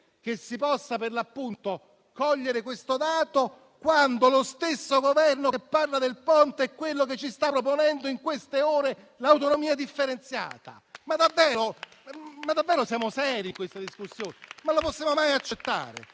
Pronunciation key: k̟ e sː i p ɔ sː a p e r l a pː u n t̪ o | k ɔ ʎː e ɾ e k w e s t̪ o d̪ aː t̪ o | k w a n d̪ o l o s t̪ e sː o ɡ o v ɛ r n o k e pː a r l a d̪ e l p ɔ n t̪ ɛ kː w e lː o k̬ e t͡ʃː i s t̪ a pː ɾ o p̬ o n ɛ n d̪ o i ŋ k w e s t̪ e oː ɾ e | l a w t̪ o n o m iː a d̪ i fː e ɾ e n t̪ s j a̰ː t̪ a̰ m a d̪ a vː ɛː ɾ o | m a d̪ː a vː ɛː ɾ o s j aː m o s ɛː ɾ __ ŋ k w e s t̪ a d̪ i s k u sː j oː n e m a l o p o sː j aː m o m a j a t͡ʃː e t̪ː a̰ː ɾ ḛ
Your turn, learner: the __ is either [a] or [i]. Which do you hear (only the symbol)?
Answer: i